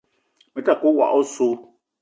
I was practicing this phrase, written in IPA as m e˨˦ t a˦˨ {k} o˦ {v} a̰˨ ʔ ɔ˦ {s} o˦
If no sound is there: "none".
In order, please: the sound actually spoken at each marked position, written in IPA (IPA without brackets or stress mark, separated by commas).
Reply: k, w, s